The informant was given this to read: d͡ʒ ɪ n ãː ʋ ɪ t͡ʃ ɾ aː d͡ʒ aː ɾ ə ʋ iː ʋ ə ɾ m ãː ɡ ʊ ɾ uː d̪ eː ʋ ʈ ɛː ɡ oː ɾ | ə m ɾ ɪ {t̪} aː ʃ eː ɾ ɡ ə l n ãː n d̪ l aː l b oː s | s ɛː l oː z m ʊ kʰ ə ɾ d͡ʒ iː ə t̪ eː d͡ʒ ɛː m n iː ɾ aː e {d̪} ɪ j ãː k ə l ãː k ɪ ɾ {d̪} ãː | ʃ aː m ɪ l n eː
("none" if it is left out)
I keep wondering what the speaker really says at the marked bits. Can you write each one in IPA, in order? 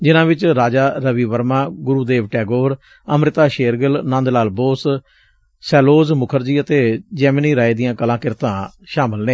t̪, d̪, t̪

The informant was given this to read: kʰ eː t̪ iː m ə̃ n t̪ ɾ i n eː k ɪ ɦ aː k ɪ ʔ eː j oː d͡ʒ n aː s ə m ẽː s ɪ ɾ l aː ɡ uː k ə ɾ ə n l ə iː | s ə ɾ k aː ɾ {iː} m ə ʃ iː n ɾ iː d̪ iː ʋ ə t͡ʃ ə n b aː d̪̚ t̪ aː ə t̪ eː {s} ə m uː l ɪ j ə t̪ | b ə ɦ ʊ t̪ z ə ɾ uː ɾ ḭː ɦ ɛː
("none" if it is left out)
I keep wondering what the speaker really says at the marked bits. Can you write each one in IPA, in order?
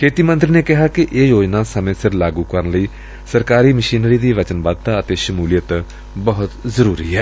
iː, ʃ

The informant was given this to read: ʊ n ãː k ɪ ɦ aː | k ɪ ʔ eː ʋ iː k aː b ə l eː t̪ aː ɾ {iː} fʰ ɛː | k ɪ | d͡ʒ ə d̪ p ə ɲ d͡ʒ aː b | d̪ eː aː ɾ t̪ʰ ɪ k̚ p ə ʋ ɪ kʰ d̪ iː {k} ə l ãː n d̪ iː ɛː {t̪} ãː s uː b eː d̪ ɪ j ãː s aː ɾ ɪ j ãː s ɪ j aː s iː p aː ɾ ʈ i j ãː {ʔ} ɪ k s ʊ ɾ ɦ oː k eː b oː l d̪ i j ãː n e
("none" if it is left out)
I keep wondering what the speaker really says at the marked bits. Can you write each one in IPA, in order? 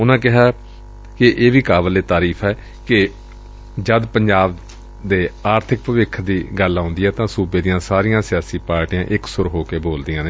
iː, ɡ, t̪, ʔ

